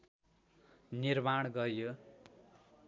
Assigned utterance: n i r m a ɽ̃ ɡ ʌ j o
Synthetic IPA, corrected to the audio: n i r m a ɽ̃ ɡ ʌ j o

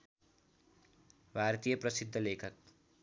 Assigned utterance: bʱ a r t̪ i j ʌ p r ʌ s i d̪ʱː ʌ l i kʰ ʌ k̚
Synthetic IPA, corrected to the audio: bʱ a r t̪ i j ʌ p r ʌ s i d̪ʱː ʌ l e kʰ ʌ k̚

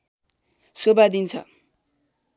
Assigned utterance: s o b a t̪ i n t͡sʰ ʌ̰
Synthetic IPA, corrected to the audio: s o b a d̪ i n t͡sʰ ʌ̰

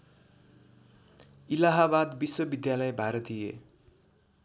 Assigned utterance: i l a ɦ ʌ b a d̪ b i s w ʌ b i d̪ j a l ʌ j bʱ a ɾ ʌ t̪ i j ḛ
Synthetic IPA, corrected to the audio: i l a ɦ a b a d̪ b i s w ʌ b i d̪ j a l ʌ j bʱ a ɾ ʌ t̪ i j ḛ

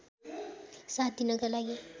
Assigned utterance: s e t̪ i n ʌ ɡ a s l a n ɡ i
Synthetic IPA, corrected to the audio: s a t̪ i n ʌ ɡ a l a ɡ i

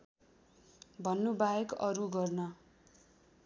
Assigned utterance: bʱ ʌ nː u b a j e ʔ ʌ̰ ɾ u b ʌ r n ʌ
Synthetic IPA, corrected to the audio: bʱ ʌ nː u b a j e k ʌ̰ ɾ u ɡ ʌ r n ʌ

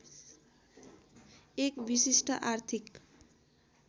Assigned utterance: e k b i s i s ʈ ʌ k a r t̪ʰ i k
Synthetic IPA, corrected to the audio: e k b i s i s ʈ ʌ ʔ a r t̪ʰ i k

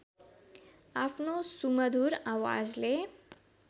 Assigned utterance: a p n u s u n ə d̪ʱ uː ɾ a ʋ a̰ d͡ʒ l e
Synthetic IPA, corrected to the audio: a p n o s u m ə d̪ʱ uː ɾ a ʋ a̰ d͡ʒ l e

